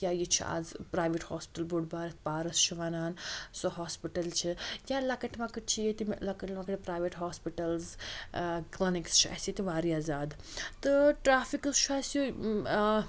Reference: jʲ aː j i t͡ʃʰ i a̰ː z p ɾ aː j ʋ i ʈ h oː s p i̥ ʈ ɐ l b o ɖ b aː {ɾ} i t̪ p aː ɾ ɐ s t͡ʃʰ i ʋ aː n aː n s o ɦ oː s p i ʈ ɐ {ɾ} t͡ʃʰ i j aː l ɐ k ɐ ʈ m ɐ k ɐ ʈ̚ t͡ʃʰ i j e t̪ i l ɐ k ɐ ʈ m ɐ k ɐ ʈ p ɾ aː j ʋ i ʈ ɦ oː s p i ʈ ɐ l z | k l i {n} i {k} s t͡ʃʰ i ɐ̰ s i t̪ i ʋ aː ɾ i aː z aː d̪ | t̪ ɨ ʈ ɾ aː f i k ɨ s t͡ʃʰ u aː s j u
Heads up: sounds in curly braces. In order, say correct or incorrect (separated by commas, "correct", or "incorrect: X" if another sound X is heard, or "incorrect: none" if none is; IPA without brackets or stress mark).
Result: correct, incorrect: l, correct, correct